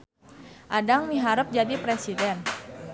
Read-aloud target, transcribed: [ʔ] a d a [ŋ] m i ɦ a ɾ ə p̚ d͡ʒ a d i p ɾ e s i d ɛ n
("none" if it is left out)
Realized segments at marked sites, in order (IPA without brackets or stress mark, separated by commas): ʔ, ŋ